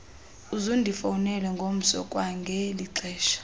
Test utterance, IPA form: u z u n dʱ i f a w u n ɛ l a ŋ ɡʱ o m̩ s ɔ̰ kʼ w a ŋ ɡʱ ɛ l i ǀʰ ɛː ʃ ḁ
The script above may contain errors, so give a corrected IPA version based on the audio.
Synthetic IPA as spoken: u z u n dʱ i f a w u n ɛ l ɛ ŋ ɡʱ o m̩ s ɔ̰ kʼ w a ŋ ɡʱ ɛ l i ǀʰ ɛː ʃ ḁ